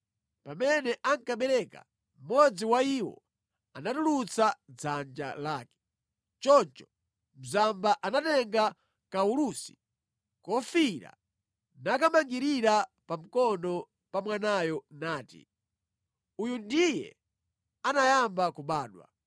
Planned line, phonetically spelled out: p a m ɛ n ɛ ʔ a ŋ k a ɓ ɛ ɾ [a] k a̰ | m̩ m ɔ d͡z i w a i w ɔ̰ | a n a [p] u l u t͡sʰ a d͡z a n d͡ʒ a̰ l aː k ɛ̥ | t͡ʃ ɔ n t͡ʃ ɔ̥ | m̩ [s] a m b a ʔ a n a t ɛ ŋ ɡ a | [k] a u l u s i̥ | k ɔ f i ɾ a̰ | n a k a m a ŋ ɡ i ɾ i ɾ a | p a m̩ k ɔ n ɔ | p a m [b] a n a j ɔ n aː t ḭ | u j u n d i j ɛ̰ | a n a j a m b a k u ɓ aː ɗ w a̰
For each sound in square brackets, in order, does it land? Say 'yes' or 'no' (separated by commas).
no, no, no, yes, no